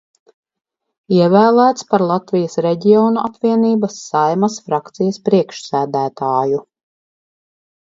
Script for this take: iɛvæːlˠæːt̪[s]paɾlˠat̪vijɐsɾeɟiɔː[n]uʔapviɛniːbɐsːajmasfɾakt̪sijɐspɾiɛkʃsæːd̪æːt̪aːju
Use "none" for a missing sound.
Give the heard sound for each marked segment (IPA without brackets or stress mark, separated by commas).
s, n